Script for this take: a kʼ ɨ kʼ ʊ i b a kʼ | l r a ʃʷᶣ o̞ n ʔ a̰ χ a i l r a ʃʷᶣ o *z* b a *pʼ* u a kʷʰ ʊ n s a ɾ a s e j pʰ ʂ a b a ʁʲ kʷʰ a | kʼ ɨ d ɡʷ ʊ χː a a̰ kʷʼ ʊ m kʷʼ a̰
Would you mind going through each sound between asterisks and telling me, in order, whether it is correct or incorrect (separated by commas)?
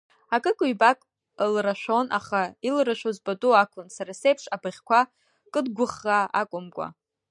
correct, incorrect